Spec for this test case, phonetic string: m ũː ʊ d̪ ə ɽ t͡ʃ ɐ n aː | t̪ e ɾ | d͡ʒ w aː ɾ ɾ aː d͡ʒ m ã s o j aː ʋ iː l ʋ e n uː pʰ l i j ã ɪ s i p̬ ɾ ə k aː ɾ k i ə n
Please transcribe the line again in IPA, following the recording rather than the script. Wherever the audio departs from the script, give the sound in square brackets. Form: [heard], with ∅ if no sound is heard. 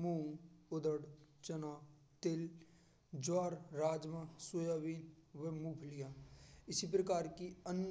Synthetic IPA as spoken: m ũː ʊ d̪ ə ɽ t͡ʃ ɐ n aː | t̪ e [l] | d͡ʒ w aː ɾ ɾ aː d͡ʒ m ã s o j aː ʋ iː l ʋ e [m] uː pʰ l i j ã ɪ s i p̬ ɾ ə k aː ɾ k i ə n

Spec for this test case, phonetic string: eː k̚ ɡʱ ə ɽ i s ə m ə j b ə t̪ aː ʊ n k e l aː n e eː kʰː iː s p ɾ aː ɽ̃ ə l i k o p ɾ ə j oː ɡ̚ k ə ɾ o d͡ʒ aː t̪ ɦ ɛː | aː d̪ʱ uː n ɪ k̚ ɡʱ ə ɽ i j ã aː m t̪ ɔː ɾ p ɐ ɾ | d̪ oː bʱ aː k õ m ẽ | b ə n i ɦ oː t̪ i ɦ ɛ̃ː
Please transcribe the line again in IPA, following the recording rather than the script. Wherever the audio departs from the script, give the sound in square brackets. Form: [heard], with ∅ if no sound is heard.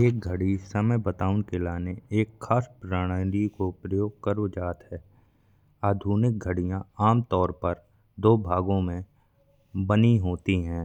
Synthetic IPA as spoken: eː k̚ ɡʱ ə ɽ i s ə m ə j b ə t̪ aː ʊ n k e l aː n e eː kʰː [aː] s p ɾ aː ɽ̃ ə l i k o p ɾ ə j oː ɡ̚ k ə ɾ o d͡ʒ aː t̪ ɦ ɛː | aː d̪ʱ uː n ɪ k̚ ɡʱ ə ɽ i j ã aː m t̪ ɔː ɾ p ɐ ɾ | d̪ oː bʱ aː [ɡ] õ m ẽ | b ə n i ɦ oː t̪ i ɦ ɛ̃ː

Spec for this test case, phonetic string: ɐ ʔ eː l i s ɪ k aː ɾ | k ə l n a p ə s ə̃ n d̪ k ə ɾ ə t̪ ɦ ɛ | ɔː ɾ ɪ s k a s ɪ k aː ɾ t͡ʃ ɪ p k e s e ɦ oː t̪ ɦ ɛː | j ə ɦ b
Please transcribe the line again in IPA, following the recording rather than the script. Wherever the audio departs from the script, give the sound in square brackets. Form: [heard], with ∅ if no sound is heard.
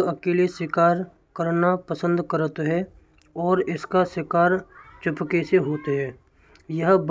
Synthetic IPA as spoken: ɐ [k] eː l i s ɪ k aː ɾ | k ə [ɾ] n a p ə s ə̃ n d̪ k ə ɾ ə t̪ ɦ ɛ | ɔː ɾ ɪ s k a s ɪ k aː ɾ t͡ʃ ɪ p k e s e ɦ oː t̪ ɦ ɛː | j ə ɦ b

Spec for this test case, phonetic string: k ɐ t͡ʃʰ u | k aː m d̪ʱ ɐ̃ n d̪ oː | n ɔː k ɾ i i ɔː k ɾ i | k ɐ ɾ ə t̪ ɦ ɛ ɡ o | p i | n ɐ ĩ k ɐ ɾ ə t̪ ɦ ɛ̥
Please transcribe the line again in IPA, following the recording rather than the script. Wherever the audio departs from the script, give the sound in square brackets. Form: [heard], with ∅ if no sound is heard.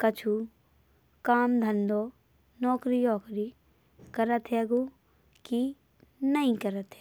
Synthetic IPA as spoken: k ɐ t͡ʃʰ u | k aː m d̪ʱ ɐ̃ n d̪ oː | n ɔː k ɾ i [j] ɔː k ɾ i | k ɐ ɾ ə t̪ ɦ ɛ ɡ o | [k] i | n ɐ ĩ k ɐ ɾ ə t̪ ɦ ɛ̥

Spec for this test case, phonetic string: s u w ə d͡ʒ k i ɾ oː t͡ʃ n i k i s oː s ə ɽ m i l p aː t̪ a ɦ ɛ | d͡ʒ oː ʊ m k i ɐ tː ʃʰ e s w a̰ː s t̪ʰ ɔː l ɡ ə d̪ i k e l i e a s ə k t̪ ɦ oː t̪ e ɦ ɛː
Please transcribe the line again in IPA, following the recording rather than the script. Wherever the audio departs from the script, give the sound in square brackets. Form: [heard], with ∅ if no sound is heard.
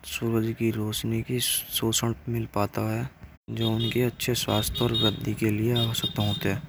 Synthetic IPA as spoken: s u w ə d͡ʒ k i ɾ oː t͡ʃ n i k i s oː s ə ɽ m [ɪ] l p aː t̪ a ɦ ɛ | d͡ʒ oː ʊ [n] k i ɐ tː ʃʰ e s w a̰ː s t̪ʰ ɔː [ɾ] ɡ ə d̪ i k e l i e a s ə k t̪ ɦ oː t̪ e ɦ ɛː

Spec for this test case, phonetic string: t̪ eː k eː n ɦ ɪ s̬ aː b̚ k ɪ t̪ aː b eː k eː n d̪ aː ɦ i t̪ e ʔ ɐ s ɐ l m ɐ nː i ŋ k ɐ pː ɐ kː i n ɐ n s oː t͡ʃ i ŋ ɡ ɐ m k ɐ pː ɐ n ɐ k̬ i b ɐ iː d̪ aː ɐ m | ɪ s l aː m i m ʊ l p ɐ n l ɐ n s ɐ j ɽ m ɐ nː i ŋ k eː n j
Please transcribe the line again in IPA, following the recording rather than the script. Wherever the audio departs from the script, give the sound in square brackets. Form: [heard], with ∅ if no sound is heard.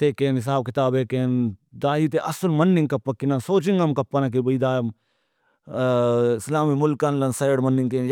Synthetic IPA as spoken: t̪ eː k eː n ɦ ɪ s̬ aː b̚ k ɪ t̪ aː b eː k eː n d̪ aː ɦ i t̪ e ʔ ɐ s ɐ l m ɐ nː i ŋ k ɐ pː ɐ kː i n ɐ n s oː t͡ʃ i ŋ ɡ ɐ m k ɐ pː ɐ n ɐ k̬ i b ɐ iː d̪ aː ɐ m | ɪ s l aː m i m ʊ l [k] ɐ n l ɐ n s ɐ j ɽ m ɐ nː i ŋ k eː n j

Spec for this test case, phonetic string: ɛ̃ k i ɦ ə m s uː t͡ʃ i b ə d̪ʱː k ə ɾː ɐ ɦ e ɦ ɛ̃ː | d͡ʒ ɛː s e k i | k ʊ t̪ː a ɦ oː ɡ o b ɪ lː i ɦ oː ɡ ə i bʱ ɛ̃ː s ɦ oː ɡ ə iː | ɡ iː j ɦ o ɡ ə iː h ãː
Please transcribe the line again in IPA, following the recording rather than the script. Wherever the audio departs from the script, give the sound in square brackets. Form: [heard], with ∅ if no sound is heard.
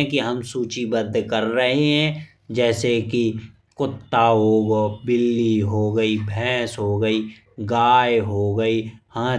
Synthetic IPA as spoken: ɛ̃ k i ɦ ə m s uː t͡ʃ i b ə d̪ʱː k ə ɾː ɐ ɦ e ɦ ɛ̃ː | d͡ʒ ɛː s e k i | k ʊ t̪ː a ɦ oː ɡ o b ɪ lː i ɦ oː ɡ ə i bʱ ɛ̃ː s ɦ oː ɡ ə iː | ɡ [aː] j ɦ o ɡ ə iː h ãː

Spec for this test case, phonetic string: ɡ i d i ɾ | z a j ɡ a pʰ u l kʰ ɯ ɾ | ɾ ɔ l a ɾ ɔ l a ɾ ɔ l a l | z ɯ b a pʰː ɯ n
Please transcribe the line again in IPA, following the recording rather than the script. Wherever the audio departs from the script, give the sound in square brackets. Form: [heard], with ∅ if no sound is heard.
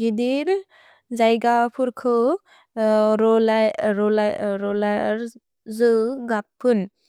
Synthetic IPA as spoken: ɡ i d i ɾ | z a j ɡ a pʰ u [ɾ] kʰ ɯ [∅] | ɾ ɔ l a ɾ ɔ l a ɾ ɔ l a [ɾ] | z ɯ [ɡ] a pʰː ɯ n

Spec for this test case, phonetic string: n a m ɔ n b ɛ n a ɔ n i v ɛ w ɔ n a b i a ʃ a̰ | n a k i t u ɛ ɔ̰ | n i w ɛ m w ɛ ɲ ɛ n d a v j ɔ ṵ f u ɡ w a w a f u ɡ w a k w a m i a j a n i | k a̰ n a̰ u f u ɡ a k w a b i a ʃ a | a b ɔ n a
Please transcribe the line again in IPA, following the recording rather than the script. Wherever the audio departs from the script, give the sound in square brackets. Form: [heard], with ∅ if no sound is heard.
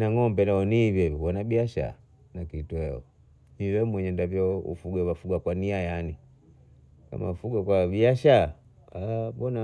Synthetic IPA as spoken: n a [ŋ] ɔ [m] b ɛ n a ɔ n i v ɛ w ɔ n a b i a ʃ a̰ | n a k i t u ɛ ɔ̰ | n i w ɛ m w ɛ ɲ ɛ n d a v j ɔ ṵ f u ɡ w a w a f u ɡ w a k w a [n] i a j a n i | k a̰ [m] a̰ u f u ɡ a k w a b i a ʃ a | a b ɔ n a

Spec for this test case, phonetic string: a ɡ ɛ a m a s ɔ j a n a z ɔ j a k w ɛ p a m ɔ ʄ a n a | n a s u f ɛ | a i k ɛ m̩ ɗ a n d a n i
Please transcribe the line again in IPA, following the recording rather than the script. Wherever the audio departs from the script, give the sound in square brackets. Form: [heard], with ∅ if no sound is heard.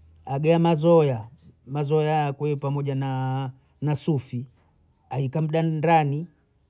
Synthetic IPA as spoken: a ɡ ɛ a m a [z] ɔ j a [m] a z ɔ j a k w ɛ p a m ɔ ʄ a n a | n a s u f [i] | a i k [a] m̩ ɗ a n d a n i

